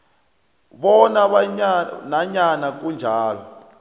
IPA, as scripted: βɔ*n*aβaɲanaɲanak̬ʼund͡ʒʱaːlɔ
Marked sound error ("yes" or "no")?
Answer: no